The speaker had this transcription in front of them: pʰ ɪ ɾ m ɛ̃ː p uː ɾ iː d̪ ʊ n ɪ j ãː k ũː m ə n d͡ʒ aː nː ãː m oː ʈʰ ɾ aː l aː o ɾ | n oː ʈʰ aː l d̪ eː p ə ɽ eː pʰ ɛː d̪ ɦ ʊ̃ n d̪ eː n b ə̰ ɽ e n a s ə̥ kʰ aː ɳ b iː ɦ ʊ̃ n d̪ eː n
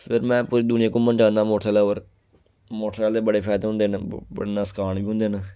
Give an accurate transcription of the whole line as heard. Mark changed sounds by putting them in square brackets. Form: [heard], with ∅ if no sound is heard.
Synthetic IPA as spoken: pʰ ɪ ɾ m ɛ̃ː p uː ɾ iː d̪ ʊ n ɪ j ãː k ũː m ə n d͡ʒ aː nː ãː m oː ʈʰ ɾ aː l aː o ɾ | [m] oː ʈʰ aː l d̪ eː [b] ə ɽ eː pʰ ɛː d̪ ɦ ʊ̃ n d̪ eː n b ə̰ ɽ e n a s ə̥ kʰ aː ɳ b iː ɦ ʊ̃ n d̪ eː n